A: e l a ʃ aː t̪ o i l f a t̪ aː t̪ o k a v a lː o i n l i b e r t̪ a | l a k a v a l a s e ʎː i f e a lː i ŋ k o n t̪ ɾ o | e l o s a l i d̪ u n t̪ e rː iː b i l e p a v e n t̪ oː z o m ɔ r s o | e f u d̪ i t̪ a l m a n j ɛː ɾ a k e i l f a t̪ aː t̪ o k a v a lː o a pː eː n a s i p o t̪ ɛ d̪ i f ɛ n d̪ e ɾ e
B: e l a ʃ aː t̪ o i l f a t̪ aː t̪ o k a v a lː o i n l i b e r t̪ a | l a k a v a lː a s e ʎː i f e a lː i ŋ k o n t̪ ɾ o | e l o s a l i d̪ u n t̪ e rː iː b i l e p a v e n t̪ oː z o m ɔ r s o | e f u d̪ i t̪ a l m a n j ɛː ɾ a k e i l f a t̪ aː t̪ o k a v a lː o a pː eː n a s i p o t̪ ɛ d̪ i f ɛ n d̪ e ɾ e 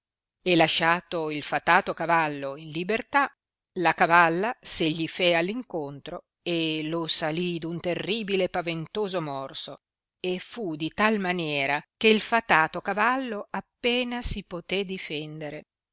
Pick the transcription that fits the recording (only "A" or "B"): B